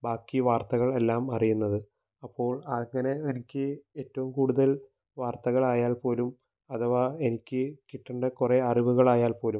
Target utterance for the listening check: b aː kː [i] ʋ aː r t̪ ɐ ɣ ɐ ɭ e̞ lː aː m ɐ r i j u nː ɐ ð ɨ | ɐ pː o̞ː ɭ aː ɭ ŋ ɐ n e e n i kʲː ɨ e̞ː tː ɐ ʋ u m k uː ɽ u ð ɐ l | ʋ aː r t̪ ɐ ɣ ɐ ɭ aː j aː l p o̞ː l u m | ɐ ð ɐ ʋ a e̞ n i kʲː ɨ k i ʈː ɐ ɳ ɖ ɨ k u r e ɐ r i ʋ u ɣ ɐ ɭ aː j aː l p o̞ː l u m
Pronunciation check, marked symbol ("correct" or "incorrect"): correct